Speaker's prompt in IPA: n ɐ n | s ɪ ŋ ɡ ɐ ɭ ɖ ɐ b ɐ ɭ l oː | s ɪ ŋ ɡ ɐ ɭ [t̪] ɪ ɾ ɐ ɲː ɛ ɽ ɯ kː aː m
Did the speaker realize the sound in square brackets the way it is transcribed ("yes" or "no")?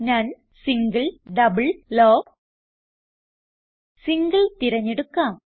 yes